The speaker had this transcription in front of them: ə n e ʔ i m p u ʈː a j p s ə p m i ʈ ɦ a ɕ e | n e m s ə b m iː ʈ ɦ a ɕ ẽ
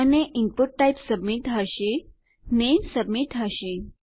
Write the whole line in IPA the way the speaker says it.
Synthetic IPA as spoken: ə n e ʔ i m p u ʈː a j p s ə b m i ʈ ɦ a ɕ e | n e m s ə b m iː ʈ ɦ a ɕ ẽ